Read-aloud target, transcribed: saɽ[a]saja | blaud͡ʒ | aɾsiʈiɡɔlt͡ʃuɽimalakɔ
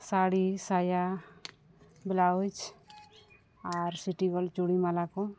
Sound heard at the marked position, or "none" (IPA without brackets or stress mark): i